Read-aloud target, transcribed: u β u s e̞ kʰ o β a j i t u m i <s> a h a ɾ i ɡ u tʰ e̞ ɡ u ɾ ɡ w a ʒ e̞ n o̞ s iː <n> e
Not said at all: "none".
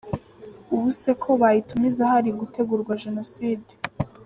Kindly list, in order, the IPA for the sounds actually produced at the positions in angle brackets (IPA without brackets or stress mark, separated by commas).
z, d